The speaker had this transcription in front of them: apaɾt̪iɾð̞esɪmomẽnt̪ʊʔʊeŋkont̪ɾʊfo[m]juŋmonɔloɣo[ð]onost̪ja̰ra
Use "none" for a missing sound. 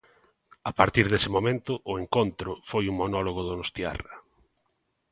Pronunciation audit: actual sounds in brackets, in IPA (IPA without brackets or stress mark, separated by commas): none, ð